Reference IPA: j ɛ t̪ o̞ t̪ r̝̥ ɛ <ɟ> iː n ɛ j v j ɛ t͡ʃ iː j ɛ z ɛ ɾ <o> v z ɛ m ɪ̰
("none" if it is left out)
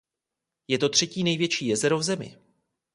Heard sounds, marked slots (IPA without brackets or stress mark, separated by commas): c, o